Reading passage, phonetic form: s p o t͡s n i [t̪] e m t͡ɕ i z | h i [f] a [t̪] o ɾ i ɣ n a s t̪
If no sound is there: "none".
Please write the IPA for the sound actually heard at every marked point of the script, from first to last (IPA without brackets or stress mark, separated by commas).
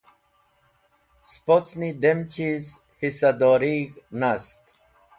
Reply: d̪, s, d̪